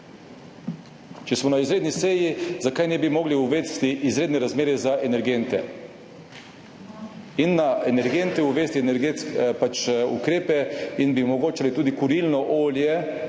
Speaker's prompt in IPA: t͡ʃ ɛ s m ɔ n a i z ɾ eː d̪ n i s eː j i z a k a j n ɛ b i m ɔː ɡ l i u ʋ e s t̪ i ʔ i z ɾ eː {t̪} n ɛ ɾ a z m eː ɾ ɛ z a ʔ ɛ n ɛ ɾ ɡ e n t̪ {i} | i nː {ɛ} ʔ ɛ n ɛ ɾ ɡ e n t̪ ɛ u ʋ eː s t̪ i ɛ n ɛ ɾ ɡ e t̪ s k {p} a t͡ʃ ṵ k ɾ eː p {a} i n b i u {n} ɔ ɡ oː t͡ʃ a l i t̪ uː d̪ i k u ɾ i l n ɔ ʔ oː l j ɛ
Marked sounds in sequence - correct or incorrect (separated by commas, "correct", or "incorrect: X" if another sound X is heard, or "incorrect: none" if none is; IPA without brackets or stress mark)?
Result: incorrect: d̪, incorrect: ɛ, incorrect: a, correct, incorrect: ɛ, incorrect: m